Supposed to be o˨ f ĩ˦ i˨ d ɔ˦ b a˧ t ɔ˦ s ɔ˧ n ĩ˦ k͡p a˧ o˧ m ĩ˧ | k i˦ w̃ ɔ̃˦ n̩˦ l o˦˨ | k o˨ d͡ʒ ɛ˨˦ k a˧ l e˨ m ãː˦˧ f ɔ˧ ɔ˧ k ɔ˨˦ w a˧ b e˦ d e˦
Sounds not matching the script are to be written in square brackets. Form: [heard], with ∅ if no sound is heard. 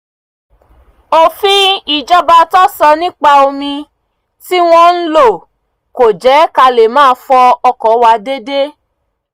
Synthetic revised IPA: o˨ f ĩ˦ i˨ [d͡ʒ] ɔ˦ b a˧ t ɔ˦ s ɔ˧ n ĩ˦ k͡p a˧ o˧ m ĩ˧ | [t] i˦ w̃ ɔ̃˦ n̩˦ l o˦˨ | k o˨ d͡ʒ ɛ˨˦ k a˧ l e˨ m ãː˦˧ f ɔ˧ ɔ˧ k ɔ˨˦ w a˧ [d] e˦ d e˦